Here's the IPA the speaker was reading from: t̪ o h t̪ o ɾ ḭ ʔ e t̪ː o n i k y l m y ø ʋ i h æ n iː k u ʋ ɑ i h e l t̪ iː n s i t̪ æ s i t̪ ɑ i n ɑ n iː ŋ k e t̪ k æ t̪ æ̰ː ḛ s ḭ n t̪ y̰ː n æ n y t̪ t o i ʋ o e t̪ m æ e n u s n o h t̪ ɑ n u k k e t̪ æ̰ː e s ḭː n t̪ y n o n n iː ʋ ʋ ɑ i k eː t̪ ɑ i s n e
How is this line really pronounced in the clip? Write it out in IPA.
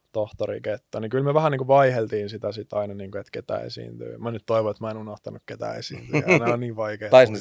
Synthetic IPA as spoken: t̪ o h t̪ o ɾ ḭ k e t̪ː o n i k y l m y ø ʋ æ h æ n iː k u ʋ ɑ i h e l t̪ iː n s i t̪ æ s i t̪ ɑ i n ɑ n iː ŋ k e t̪ k e t̪ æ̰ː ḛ s ḭ n t̪ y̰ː m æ n y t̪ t o i ʋ o e t̪ m æ e n u n o h t̪ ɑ n u k k e t̪ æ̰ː e s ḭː n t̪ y n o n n iː ʋ ʋ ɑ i k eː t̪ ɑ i s n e